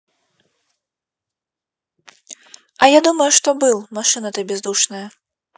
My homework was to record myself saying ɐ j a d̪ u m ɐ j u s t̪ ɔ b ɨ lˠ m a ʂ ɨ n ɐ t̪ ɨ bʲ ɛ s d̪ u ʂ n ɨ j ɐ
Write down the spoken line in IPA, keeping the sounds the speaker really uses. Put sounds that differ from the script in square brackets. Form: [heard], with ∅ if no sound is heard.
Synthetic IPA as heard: ɐ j a d̪ u m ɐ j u [ʂ] t̪ ɔ b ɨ lˠ m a ʂ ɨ n ɐ t̪ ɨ bʲ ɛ [z] d̪ u ʂ n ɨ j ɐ